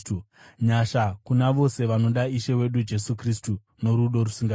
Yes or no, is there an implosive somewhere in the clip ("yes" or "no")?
yes